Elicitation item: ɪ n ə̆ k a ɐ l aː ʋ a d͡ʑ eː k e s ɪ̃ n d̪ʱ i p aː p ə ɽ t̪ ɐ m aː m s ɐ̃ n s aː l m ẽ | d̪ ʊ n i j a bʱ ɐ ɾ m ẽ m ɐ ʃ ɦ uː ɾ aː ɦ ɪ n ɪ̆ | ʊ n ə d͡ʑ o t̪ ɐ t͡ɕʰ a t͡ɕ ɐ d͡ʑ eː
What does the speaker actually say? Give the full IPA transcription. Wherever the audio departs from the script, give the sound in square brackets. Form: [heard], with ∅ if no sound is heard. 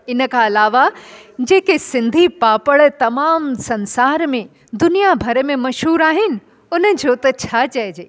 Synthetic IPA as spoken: ɪ n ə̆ k a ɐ l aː ʋ a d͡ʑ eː k e s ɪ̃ n d̪ʱ i p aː p ə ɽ t̪ ɐ m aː m s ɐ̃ n s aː [ɾ] m ẽ | d̪ ʊ n i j a bʱ ɐ ɾ m ẽ m ɐ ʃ ɦ uː ɾ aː ɦ ɪ n ɪ̆ | ʊ n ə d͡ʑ o t̪ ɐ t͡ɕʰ a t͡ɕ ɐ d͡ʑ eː